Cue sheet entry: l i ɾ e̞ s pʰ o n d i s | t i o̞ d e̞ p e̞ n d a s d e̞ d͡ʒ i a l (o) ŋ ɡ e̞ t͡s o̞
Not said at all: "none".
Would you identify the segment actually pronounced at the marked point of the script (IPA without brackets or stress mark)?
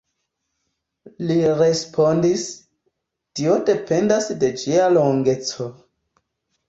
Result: o